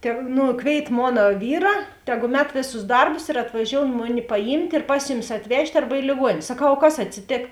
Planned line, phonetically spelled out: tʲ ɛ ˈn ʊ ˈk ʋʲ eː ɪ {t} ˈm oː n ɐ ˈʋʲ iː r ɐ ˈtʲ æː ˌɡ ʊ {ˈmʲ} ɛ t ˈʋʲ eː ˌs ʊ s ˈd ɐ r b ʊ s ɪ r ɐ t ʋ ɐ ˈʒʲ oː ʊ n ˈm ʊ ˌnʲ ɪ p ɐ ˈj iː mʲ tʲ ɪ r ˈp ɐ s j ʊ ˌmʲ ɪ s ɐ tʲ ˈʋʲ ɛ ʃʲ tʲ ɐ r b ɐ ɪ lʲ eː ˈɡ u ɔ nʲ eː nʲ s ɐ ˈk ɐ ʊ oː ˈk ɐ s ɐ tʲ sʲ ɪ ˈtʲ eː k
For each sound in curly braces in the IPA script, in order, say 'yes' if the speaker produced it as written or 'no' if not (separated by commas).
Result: yes, yes